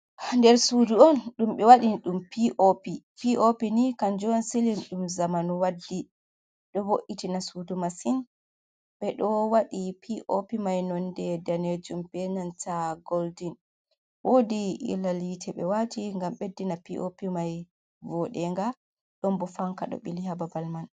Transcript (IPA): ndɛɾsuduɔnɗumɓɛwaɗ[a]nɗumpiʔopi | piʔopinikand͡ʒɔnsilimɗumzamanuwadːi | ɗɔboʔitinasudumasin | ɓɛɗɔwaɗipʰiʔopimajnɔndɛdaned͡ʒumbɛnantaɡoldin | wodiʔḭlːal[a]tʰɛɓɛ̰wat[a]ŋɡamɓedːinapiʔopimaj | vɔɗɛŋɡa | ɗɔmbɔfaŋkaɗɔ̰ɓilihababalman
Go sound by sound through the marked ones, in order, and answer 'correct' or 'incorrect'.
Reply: incorrect, incorrect, incorrect

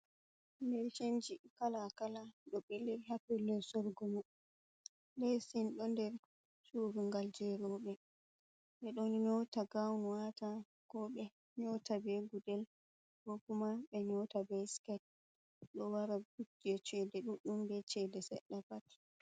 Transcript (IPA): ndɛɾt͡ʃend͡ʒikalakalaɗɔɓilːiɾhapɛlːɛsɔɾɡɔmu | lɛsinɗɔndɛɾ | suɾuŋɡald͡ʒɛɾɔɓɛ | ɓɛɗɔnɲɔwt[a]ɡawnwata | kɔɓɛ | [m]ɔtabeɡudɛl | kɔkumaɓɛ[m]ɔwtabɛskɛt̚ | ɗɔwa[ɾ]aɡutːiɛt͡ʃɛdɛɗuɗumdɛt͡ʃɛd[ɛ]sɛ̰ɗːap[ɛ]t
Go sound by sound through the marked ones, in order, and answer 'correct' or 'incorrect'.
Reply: correct, incorrect, incorrect, correct, correct, incorrect

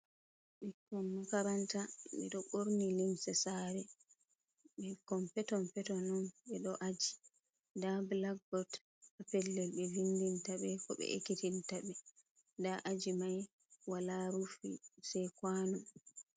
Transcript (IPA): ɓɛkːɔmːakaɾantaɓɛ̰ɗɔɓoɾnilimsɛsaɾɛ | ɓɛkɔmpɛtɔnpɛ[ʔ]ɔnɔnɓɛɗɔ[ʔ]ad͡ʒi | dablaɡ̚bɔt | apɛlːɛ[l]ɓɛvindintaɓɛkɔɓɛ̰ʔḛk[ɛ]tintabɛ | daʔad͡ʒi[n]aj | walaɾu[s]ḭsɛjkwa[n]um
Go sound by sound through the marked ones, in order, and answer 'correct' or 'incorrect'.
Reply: incorrect, correct, correct, incorrect, incorrect, incorrect, correct

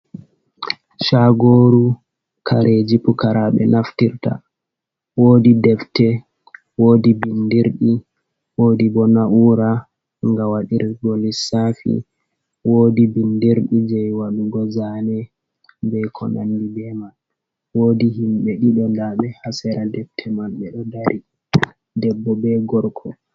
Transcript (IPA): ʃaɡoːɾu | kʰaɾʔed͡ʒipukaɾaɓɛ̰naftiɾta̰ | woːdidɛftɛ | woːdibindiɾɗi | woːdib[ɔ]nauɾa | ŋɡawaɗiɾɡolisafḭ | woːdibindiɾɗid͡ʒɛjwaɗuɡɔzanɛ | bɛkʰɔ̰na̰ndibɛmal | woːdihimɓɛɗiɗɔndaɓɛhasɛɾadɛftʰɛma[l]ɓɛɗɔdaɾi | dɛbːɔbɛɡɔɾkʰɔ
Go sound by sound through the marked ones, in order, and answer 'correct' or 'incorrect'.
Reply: correct, correct

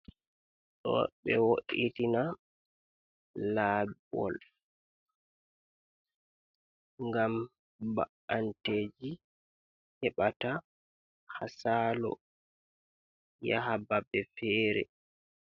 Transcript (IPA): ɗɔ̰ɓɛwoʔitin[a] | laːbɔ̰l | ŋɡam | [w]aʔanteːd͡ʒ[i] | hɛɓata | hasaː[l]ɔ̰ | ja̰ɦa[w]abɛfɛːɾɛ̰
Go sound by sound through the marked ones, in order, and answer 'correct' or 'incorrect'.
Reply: correct, incorrect, correct, correct, incorrect

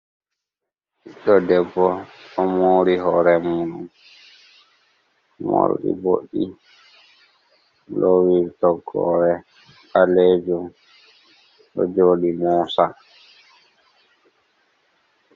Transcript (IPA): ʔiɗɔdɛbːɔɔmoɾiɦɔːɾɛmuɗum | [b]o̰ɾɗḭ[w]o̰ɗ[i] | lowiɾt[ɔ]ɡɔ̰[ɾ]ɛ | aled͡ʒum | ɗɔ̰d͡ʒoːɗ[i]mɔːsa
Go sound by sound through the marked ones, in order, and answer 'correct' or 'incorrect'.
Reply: incorrect, incorrect, correct, correct, correct, correct

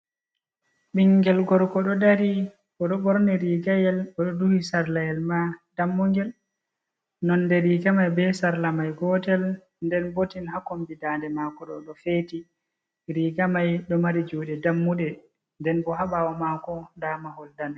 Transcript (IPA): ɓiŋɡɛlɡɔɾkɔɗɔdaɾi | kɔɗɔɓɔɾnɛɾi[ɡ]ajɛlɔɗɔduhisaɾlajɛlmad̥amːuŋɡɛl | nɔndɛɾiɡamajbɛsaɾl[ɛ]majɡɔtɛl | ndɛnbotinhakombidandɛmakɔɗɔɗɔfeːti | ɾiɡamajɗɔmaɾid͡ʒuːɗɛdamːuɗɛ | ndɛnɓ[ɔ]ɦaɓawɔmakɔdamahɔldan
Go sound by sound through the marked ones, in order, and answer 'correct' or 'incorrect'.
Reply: correct, incorrect, correct

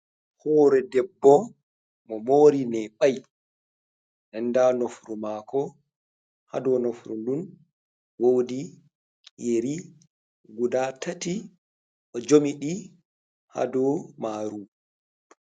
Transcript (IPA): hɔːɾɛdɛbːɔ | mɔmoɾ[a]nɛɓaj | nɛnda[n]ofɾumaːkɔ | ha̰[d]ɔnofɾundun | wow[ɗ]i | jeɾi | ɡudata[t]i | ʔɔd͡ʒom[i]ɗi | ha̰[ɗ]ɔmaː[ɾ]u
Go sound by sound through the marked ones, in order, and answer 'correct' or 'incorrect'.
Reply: incorrect, correct, correct, incorrect, correct, correct, incorrect, correct

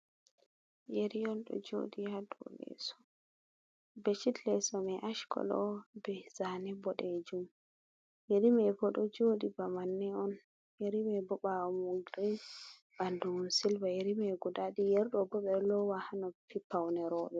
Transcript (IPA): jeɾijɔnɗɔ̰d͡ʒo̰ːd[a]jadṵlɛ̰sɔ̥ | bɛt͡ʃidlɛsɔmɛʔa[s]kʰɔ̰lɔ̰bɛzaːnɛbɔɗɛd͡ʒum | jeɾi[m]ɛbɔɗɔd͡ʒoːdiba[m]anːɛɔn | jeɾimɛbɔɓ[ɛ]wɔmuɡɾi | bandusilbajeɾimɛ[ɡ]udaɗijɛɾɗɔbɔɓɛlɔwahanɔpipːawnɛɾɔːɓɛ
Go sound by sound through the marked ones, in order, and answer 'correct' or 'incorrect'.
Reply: incorrect, incorrect, correct, correct, incorrect, correct

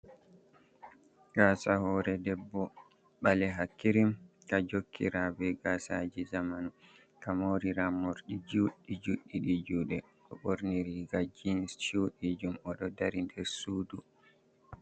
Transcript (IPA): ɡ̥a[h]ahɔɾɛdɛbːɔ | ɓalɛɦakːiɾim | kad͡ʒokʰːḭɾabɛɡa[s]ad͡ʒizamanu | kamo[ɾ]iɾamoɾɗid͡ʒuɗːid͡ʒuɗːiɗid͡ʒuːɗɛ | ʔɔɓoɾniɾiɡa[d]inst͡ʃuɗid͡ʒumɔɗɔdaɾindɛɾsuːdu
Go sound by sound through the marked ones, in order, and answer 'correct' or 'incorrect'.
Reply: incorrect, correct, correct, incorrect

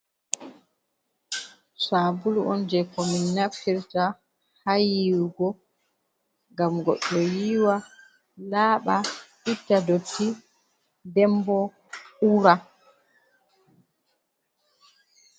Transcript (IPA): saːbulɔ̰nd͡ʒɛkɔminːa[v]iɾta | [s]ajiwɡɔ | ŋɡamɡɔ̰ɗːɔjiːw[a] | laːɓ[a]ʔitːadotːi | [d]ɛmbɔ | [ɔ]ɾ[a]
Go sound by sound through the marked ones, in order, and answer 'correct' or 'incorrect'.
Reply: incorrect, incorrect, correct, correct, correct, incorrect, correct

